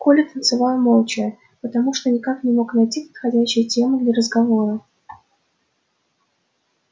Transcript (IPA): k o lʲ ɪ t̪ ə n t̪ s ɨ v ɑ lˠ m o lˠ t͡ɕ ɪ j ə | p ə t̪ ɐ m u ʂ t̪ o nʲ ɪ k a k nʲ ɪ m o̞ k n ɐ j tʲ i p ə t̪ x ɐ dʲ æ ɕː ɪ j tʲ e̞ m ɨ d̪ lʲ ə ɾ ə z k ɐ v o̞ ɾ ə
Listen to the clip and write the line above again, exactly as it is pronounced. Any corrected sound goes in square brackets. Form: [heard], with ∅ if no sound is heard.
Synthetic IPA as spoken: k o lʲ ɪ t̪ ə n t̪ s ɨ v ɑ lˠ m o lˠ t͡ɕ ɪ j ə | p ə t̪ ɐ m u ʂ t̪ o nʲ ɪ k a k nʲ ɪ m o̞ k n ɐ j tʲ i p ə t̪ x ɐ dʲ æ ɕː ɪ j tʲ e̞ m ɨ d̪ lʲ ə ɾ ə z [ɡ] ɐ v o̞ ɾ ə